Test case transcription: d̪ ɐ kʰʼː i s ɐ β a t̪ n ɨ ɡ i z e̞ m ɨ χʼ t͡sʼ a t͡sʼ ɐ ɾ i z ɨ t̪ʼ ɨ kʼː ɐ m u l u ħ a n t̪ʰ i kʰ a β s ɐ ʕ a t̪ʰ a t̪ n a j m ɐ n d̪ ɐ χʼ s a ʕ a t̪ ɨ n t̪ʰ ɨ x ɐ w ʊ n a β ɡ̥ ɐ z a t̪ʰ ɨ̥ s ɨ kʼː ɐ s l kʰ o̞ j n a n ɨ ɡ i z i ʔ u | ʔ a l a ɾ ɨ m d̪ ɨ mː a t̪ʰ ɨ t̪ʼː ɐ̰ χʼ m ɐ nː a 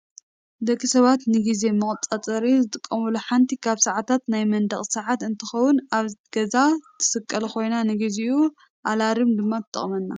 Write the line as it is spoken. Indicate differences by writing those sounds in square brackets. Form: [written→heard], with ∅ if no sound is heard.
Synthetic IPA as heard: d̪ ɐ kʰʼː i s ɐ β a t̪ n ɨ ɡ i z e̞ m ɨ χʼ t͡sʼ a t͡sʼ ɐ ɾ i z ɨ t̪ʼ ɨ kʼː ɐ m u l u ħ a n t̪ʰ i kʰ a β s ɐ ʕ a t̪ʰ a t̪ n a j m ɐ n d̪ ɐ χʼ s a ʕ a t̪ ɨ n t̪ʰ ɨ x ɐ w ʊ n a β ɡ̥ ɐ z a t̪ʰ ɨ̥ s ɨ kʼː ɐ [s→∅] l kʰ o̞ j n a n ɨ ɡ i z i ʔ u | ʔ a l a ɾ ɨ m d̪ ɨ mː a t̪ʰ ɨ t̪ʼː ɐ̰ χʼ m ɐ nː a